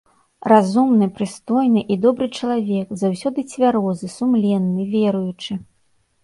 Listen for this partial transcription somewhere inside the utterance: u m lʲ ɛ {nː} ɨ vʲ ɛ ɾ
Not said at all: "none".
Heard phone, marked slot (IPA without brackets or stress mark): nː